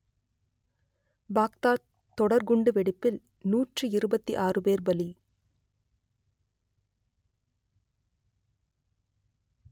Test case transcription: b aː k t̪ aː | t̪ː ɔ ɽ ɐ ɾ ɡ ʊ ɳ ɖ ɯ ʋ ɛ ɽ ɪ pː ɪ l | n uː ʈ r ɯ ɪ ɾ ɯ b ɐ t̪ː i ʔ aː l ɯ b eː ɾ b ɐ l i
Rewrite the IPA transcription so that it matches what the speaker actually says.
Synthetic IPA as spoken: b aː k t̪ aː | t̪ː ɔ ɽ ɐ ɾ ɡ ʊ ɳ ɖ ɯ ʋ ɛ ɽ ɪ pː ɪ l | n uː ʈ r ɯ ɪ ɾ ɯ b ɐ t̪ː i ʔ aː r ɯ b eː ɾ b ɐ l i